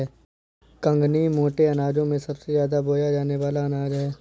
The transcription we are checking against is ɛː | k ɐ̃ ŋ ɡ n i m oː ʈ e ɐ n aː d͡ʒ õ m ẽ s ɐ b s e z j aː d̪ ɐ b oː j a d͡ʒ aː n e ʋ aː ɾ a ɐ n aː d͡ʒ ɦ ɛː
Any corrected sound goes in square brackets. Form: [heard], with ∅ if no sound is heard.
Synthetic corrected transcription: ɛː | k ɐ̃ ŋ ɡ n i m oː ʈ e ɐ n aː d͡ʒ õ m ẽ s ɐ b s e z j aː d̪ [a] b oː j a d͡ʒ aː n e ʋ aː [l] a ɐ n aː d͡ʒ ɦ ɛː